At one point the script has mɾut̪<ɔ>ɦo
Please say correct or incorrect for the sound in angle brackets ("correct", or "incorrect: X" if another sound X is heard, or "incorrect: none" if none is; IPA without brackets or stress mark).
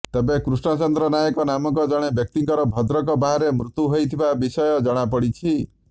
incorrect: u